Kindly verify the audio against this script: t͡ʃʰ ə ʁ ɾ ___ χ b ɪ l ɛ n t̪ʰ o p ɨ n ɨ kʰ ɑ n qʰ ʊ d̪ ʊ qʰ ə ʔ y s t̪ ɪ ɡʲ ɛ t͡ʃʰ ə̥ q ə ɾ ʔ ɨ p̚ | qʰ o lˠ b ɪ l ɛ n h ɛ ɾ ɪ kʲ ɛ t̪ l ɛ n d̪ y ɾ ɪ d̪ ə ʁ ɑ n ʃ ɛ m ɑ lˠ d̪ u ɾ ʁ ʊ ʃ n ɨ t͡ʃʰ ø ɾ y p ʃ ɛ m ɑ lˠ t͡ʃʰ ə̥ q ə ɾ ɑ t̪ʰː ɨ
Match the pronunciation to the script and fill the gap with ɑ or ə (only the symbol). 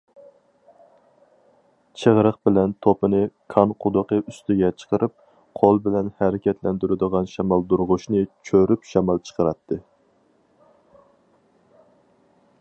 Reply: ə